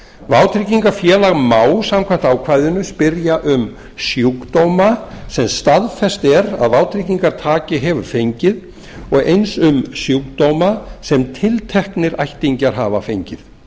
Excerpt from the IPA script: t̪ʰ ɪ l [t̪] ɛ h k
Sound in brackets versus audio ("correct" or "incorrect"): incorrect